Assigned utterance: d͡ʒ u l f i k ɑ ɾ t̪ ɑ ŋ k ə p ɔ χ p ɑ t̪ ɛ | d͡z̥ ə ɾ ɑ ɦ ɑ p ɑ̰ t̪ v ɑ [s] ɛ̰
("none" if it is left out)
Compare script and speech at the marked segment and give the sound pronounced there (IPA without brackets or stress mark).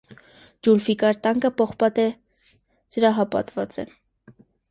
t͡s